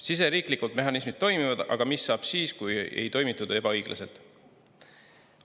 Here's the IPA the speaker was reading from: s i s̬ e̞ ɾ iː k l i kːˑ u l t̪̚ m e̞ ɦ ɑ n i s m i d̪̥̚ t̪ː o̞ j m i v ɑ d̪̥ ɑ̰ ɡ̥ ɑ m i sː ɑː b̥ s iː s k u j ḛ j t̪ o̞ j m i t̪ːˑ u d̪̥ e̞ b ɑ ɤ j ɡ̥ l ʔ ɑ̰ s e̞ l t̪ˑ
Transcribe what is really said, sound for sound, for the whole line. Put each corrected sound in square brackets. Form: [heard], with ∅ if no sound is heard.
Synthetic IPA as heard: s i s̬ e̞ ɾ iː k l i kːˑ u l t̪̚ m e̞ ɦ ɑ n i s m i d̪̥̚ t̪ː o̞ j m i v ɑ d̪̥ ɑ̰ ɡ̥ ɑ m i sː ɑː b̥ s iː s k u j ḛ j t̪ o̞ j m i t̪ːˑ u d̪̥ e̞ b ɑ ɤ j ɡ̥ l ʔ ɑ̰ s e̞ l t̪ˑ